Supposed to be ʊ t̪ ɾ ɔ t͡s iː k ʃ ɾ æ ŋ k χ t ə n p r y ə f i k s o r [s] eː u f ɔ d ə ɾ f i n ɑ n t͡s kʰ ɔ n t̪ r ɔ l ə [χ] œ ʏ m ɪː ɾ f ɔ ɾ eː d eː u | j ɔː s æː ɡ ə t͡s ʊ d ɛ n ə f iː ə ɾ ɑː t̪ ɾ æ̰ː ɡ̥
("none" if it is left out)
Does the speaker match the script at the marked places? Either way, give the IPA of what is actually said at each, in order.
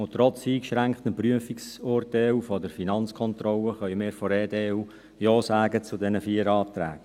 t, χ

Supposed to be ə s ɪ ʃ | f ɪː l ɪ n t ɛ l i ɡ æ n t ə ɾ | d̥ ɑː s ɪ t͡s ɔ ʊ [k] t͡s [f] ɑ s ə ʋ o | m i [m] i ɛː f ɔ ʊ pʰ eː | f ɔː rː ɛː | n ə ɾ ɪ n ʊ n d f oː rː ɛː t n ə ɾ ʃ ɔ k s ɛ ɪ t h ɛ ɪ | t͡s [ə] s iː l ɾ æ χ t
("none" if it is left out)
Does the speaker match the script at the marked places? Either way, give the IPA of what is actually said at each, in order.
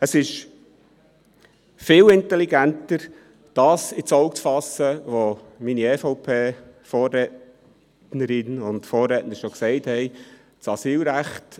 k, f, n, ɑ

